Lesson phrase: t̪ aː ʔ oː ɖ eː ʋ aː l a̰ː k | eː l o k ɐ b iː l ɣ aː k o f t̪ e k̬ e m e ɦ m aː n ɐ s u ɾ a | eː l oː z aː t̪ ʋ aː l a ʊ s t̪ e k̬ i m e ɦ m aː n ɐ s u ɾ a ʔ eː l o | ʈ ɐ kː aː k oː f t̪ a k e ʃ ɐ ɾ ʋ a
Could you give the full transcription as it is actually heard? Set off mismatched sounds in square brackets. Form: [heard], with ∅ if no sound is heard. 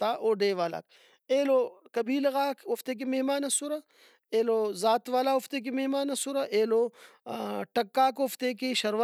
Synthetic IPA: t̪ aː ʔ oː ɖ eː ʋ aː l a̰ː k | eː l o k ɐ b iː l ɣ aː k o f t̪ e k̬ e m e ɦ m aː n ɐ s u ɾ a | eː l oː z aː t̪ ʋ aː l a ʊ [f] t̪ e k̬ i m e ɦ m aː n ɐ s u ɾ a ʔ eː l o | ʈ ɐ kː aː k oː f t̪ [e] k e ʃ ɐ ɾ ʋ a